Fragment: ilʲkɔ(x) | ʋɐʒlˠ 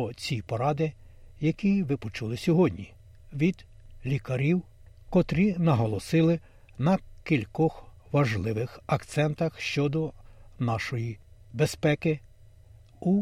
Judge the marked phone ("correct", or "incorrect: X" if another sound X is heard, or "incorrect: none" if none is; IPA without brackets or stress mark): correct